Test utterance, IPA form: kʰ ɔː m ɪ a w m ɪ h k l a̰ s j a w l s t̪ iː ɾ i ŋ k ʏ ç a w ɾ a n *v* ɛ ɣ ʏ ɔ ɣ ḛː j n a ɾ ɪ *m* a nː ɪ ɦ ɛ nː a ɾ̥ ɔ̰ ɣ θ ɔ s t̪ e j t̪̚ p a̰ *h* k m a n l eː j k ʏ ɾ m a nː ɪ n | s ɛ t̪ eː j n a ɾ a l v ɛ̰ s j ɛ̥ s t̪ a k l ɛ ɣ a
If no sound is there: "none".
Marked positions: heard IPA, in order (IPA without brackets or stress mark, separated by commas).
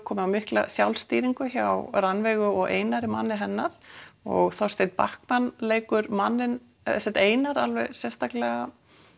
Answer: v, m, h